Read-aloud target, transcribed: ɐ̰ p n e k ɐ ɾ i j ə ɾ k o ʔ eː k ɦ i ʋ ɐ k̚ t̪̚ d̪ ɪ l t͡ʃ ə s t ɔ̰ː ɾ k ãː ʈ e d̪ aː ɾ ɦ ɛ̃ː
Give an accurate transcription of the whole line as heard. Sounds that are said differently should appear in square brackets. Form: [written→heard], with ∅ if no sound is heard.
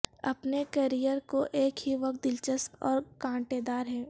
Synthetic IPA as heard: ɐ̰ p n e k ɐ ɾ i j ə ɾ k o ʔ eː k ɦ i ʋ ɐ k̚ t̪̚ d̪ ɪ l t͡ʃ ə s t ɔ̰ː ɾ k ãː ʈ e d̪ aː ɾ ɦ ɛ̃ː